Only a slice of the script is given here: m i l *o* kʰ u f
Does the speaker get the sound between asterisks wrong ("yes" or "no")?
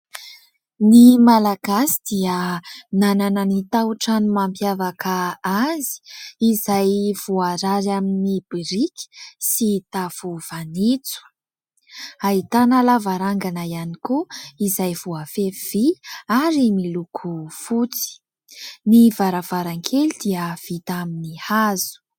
yes